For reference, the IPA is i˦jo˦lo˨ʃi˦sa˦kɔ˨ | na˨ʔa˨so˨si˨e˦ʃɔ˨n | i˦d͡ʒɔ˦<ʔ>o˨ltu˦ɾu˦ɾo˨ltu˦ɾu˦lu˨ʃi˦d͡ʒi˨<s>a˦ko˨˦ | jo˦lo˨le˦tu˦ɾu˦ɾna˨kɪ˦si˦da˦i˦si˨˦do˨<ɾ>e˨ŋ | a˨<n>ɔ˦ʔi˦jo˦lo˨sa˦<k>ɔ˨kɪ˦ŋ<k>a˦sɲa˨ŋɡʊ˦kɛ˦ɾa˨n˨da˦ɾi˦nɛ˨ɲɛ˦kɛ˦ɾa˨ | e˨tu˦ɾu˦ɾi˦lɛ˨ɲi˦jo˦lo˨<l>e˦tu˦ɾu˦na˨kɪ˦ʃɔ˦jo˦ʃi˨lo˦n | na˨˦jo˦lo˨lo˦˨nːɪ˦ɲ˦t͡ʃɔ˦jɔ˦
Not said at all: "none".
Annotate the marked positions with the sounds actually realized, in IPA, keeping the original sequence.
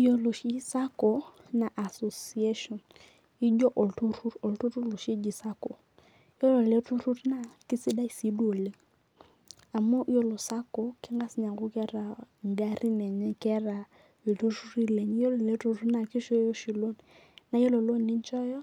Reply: ʔ, s, l, m, k, ɡ, l

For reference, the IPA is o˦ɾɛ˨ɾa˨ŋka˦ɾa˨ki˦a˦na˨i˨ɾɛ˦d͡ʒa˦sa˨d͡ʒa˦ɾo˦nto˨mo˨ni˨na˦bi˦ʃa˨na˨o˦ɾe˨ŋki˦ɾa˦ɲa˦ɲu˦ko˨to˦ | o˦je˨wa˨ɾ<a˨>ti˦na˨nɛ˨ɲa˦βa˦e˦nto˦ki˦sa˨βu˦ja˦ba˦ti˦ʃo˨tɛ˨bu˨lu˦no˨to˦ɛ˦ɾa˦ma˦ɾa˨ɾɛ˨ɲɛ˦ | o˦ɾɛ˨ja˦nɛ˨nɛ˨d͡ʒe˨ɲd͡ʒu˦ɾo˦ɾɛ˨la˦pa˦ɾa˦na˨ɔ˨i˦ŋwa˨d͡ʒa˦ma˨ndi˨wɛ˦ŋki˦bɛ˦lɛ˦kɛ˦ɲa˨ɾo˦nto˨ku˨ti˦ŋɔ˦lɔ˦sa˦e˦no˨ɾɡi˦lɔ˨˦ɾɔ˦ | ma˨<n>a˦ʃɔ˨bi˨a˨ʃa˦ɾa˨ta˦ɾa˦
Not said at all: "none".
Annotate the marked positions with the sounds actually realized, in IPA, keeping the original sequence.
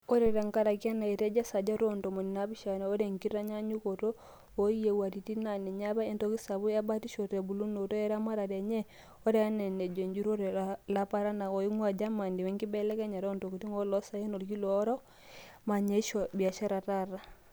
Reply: i˨, ɲ

